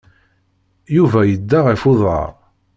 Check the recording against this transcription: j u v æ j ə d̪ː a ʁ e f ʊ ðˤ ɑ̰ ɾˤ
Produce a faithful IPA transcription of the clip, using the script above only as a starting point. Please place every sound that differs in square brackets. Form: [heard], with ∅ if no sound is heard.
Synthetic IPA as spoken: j u v æ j ə d̪ː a ʁ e f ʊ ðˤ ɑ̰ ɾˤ